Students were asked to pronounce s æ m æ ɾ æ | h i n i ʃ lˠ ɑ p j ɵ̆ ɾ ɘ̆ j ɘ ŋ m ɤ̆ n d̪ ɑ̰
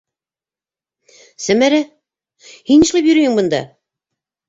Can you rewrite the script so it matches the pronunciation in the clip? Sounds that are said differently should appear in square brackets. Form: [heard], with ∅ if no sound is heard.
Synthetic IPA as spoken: s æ m æ ɾ æ | h i n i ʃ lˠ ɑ p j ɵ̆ ɾ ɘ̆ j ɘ ŋ [b] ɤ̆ n d̪ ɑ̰

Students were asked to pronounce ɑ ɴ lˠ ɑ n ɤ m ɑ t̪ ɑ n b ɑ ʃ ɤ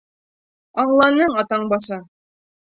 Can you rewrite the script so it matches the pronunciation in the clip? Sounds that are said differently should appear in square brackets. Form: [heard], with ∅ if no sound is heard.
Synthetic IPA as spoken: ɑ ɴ lˠ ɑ n ɤ [ɴ] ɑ t̪ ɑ [ɴ] b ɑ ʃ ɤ

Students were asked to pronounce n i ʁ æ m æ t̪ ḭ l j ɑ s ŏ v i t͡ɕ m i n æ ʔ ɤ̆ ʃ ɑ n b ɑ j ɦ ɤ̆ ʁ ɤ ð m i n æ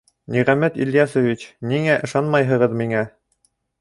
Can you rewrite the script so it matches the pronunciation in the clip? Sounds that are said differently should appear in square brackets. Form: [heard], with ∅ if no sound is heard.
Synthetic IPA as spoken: n i ʁ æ m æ t̪ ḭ l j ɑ s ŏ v i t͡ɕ [n] i [ŋ] æ ʔ ɤ̆ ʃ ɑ n [m] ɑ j ɦ ɤ̆ ʁ ɤ ð m i [ŋ] æ

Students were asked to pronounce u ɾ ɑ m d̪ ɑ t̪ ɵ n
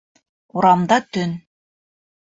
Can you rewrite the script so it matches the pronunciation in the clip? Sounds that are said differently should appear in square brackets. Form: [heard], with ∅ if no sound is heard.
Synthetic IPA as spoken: u ɾ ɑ m d̪ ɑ t̪ ɵ n

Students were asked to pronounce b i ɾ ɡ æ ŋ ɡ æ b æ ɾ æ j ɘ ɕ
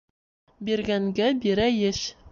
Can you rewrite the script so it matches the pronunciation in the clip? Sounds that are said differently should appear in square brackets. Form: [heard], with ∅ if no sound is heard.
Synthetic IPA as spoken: b i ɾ ɡ æ ŋ ɡ æ b [i] ɾ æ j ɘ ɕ

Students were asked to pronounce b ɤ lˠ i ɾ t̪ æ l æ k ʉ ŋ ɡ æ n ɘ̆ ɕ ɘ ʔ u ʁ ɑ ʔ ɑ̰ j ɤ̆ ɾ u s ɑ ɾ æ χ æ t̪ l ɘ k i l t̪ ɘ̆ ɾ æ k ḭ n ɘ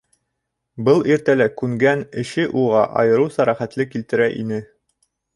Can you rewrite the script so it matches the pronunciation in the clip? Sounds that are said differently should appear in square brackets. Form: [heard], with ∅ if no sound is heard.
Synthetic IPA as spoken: b ɤ lˠ i ɾ t̪ æ l æ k ʉ ŋ ɡ æ n ɘ̆ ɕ ɘ ʔ u ʁ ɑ ʔ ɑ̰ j ɤ̆ ɾ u s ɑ ɾ æ χ æ t̪ l ɘ k i l t̪ ɘ̆ ɾ æ [ʔ] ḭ n ɘ

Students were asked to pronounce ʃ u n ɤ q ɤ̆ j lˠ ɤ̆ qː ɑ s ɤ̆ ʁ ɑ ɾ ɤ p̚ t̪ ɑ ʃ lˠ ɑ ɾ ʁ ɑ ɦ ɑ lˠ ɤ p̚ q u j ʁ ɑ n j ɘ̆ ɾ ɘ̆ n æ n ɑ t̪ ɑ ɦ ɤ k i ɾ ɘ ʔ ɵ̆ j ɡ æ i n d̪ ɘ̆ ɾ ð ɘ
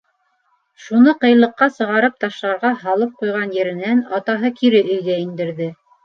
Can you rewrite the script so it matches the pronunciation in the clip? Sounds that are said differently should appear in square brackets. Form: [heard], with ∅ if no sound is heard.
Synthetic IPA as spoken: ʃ u n ɤ q ɤ̆ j lˠ ɤ̆ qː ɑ s ɤ̆ ʁ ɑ ɾ ɤ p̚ t̪ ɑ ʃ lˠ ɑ ɾ ʁ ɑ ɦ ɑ lˠ ɤ p̚ q u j ʁ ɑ n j ɘ̆ ɾ ɘ̆ n æ n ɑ t̪ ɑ ɦ ɤ k i ɾ ɘ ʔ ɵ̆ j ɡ æ i n d̪ ɘ̆ ɾ ð ɘ

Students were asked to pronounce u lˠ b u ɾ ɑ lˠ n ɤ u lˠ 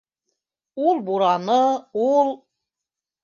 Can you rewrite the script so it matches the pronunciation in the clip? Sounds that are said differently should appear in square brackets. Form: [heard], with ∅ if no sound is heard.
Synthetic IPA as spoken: u lˠ b u ɾ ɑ [∅] n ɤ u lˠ

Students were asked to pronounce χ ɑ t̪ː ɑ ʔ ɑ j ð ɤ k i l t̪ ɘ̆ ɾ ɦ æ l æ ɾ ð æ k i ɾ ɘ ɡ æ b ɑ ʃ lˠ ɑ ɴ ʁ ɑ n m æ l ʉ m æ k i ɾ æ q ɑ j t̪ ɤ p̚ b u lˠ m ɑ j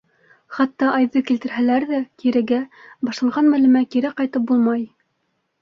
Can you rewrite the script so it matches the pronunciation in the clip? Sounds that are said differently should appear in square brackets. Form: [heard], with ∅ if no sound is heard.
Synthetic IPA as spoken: χ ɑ t̪ː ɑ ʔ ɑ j ð ɤ k i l t̪ ɘ̆ ɾ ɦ æ l æ ɾ ð æ k i ɾ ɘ ɡ æ b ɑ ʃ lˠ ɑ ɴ ʁ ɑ n m æ l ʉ m æ k i ɾ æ q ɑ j t̪ ɤ p̚ b u lˠ m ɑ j

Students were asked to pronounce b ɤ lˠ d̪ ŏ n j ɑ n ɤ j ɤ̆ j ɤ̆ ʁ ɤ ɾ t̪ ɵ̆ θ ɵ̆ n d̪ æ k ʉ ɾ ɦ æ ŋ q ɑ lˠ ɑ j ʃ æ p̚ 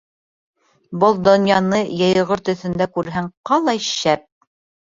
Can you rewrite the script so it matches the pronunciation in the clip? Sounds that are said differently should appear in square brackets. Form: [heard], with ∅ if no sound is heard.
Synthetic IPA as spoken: b ɤ lˠ d̪ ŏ n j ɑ n ɤ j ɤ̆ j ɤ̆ ʁ ɤ ɾ t̪ ɵ̆ θ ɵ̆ n d̪ æ k ʉ ɾ ɦ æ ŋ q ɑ lˠ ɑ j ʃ æ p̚

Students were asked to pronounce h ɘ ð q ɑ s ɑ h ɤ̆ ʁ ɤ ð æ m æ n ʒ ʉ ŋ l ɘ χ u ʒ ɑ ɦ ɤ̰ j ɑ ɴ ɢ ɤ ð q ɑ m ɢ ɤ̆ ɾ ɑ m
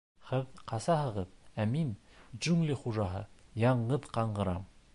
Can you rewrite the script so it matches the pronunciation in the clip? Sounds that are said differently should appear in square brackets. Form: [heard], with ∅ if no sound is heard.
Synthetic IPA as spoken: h ɘ ð q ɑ s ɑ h ɤ̆ ʁ ɤ ð æ m [i] n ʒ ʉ ŋ l ɘ χ u ʒ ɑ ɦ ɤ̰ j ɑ ɴ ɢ ɤ ð q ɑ [ɴ] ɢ ɤ̆ ɾ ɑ m

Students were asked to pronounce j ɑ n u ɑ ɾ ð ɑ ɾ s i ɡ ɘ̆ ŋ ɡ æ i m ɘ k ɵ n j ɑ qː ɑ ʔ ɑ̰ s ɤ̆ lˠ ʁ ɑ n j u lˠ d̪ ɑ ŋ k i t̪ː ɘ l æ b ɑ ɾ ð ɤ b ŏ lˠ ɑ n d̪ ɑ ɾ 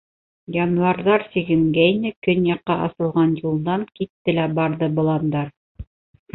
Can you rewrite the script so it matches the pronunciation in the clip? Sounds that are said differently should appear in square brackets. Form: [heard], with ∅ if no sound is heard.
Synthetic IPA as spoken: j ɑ n u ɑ ɾ ð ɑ ɾ s i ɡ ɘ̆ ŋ ɡ æ i [n] ɘ k ɵ n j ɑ qː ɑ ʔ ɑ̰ s ɤ̆ lˠ ʁ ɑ n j u lˠ d̪ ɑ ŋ k i t̪ː ɘ l æ b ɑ ɾ ð ɤ b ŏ lˠ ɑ n d̪ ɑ ɾ

